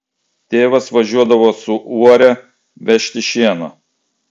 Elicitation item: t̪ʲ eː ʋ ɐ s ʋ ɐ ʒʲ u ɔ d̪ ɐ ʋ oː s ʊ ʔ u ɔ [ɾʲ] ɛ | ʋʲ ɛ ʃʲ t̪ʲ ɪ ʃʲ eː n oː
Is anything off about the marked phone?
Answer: no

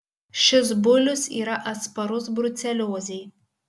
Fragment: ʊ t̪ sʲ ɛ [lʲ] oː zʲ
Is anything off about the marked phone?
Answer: no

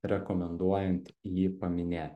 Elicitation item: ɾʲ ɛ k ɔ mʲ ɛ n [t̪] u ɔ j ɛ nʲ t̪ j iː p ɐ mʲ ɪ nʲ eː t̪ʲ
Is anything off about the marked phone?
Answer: yes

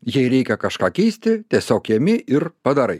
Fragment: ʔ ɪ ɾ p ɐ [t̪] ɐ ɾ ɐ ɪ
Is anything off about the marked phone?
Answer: yes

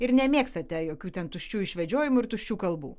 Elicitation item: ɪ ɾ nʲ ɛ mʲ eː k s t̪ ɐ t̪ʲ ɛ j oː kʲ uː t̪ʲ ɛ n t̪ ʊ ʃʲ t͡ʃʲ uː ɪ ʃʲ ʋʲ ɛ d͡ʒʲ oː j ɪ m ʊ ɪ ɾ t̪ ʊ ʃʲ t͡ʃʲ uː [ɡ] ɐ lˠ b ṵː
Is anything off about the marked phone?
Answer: yes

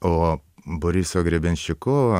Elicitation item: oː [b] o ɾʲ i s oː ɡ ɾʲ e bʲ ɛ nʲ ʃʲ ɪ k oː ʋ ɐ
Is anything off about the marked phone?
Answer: no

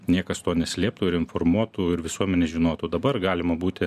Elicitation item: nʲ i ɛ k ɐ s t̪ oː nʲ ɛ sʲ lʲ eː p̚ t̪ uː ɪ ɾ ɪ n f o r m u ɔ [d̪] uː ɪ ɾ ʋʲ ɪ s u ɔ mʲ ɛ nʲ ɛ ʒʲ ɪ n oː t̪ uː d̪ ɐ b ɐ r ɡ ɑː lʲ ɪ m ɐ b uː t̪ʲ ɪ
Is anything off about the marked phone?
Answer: yes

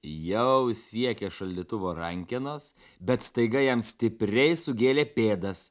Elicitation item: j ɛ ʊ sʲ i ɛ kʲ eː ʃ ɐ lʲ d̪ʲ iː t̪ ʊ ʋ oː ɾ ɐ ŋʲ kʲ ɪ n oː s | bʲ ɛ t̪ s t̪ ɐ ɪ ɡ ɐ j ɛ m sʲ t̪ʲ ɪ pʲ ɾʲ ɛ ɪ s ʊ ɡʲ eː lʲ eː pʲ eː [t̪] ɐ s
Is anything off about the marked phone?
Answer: yes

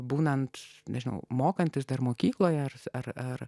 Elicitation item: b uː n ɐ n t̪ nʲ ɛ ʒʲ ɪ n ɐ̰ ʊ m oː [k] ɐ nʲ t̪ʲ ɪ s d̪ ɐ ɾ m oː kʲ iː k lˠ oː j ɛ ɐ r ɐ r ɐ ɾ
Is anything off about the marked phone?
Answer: no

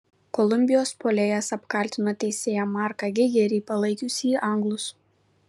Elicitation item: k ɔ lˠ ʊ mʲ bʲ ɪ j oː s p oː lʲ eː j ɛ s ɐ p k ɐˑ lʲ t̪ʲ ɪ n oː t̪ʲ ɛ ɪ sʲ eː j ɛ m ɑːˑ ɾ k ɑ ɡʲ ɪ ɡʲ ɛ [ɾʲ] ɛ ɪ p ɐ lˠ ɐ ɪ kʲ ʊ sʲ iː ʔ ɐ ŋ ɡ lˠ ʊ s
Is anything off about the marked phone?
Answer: no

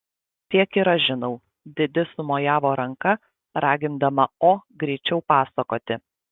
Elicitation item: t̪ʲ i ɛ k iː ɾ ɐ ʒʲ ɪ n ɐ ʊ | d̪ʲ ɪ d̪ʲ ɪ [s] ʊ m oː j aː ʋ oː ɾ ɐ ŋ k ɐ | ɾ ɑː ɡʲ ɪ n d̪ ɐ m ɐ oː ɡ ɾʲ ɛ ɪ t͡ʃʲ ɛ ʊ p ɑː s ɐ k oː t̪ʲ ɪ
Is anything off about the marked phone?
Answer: no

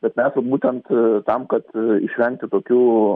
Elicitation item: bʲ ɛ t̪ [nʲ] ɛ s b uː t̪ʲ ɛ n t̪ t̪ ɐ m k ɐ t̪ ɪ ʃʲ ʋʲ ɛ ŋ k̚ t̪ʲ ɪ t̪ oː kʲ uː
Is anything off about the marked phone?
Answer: yes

